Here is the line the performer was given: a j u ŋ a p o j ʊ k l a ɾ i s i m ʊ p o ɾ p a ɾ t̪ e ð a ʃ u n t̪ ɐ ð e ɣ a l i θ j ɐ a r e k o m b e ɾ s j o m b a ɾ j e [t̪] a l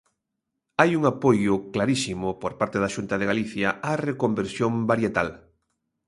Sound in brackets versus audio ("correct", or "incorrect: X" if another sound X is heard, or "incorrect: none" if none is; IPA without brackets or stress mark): correct